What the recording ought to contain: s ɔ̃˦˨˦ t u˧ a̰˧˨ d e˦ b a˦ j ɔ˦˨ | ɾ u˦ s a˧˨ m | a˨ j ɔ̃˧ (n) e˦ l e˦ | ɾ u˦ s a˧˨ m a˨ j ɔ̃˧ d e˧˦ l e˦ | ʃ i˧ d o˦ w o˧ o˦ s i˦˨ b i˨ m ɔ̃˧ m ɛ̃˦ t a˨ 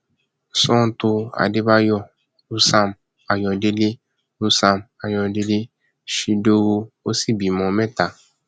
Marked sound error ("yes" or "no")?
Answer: yes